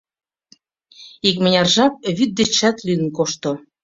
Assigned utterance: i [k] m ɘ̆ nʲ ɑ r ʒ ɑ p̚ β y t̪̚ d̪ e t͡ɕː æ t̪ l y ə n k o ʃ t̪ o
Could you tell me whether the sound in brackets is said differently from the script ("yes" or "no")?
no